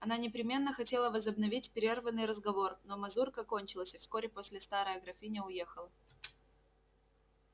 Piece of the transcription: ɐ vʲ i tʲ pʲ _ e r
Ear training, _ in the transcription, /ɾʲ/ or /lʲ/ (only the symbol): ɾʲ